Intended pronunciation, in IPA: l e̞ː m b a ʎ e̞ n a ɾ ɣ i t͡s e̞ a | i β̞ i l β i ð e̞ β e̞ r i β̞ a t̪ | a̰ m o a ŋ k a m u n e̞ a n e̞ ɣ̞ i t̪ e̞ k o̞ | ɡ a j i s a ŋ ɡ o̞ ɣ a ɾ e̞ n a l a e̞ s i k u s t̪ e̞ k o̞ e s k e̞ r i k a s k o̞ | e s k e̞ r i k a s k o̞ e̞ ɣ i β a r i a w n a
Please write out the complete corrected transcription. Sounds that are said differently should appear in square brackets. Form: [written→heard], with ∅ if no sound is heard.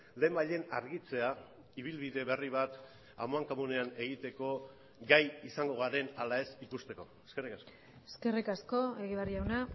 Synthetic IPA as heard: l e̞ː m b a ʎ e̞ n a ɾ ɣ i t͡s e̞ a | i β̞ i l β i ð e̞ β e̞ r i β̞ a t̪ | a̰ m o a ŋ k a m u n e̞ a n e̞ ɣ̞ i t̪ e̞ k o̞ | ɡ a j i s a ŋ ɡ o̞ ɣ a ɾ e̞ n a l a e̞ s i k u s t̪ e̞ k o̞ e s k e̞ r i k a s k o̞ | e s k e̞ r i k a s k o̞ e̞ ɣ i β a r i a w n a